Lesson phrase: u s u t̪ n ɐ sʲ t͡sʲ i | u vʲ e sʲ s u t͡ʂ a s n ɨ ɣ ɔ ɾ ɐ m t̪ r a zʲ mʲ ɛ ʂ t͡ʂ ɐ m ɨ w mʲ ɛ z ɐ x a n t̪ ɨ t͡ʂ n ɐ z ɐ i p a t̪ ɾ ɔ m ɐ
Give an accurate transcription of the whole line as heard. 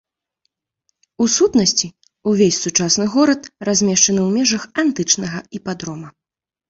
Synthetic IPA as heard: u s u t̪ n ɐ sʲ t͡sʲ i | u vʲ e sʲ s u t͡ʂ a s n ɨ ɣ ɔ ɾ ɐ t̪ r a zʲ mʲ ɛ ʂ t͡ʂ ɐ n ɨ w mʲ ɛ ʐ ɐ x a n t̪ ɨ t͡ʂ n ɐ ɣ ɐ i p a d̪ ɾ ɔ m ɐ